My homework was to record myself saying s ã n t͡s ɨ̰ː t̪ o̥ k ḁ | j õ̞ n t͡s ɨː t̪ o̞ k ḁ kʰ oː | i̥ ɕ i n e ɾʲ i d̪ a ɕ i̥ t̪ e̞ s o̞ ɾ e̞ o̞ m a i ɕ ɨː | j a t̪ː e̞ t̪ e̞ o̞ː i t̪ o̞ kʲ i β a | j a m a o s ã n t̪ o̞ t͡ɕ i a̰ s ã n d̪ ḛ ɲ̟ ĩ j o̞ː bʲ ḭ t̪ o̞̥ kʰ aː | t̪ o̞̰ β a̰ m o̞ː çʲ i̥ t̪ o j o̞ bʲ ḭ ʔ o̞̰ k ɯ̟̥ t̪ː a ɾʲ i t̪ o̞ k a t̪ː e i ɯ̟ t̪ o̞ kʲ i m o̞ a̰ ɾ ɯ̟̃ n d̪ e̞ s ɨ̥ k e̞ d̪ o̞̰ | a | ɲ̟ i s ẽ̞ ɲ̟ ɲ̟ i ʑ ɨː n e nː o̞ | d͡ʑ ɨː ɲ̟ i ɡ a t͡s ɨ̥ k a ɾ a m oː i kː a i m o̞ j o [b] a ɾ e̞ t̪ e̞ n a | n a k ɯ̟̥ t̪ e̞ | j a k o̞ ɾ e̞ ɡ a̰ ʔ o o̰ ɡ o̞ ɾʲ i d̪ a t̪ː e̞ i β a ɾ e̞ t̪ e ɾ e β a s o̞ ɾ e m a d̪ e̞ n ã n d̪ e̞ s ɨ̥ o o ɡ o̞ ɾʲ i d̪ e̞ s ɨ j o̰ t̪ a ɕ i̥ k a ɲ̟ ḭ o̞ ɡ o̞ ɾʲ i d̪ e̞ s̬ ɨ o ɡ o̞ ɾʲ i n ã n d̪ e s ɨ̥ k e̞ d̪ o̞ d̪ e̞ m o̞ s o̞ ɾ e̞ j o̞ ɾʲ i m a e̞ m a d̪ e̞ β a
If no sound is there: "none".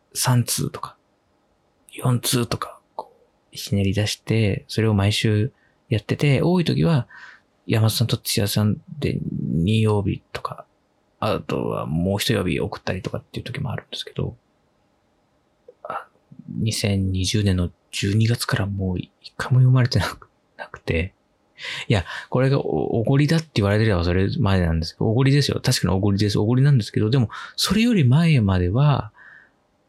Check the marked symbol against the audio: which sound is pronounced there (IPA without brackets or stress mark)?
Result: m